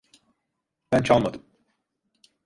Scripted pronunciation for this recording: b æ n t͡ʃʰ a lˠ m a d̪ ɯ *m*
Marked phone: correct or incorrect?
correct